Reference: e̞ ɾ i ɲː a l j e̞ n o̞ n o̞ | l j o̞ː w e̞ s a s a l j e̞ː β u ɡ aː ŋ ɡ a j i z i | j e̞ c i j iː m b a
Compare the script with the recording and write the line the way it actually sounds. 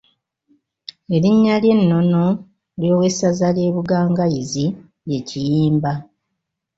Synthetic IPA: e̞ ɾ i ɲː a l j e̞ nː o̞ n o̞ | l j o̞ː w e̞ s a z a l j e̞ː β u ɡ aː ŋ ɡ a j i z i | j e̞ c i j iː m b a